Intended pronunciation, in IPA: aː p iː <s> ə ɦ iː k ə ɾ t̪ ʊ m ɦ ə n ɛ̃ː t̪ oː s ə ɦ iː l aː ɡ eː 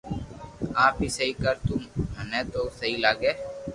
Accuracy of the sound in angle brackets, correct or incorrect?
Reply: correct